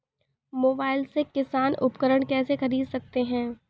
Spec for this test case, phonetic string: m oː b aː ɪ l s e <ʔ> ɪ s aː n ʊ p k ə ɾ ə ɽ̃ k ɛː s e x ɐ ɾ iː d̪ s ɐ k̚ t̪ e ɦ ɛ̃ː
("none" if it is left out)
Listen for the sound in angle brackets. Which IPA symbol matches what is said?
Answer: k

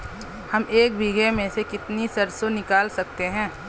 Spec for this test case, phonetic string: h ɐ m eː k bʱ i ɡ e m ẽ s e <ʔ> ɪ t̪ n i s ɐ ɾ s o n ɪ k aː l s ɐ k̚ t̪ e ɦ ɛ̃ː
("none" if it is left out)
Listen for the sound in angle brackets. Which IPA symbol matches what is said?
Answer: k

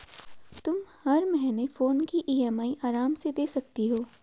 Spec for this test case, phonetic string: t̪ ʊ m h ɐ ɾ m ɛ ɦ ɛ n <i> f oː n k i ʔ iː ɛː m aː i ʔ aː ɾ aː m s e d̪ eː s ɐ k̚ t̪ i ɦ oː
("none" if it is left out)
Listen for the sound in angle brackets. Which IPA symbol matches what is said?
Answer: e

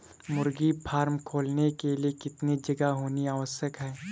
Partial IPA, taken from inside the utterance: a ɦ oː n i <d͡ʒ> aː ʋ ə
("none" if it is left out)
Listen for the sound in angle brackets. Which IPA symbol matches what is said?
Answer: none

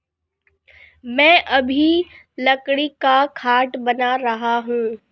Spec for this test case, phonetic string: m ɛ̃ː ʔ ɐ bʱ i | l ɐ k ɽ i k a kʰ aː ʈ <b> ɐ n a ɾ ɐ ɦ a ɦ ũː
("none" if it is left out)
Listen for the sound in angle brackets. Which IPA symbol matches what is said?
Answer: b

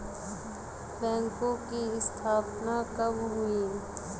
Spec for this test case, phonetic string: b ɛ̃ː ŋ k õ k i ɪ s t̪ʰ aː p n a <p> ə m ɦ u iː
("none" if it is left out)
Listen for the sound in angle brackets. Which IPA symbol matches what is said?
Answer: k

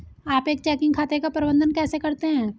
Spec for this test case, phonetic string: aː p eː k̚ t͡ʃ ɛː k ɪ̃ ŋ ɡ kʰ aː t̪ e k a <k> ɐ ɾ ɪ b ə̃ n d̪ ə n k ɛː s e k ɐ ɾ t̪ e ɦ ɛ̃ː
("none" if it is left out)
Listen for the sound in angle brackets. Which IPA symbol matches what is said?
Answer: p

